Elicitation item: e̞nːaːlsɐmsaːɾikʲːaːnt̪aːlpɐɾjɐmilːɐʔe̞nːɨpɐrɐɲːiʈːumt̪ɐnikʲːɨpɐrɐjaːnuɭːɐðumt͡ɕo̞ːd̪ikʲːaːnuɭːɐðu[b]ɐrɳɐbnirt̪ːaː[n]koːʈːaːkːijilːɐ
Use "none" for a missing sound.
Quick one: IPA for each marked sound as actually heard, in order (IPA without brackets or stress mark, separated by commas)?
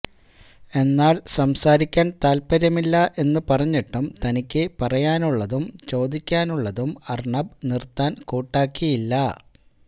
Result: m, n